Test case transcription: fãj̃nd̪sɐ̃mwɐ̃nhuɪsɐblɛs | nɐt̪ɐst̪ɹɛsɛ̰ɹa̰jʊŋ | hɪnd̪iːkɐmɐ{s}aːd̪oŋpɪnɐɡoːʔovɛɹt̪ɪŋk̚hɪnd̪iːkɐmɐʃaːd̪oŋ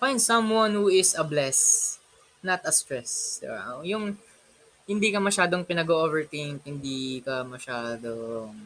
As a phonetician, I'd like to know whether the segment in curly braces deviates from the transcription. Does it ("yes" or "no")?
yes